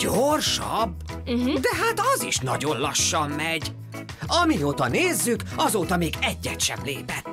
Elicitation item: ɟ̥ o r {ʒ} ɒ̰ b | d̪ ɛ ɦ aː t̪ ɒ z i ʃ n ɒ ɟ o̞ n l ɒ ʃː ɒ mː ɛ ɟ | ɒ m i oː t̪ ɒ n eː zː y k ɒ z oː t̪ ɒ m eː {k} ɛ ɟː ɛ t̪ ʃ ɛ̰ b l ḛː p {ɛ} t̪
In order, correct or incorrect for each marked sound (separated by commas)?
incorrect, incorrect, correct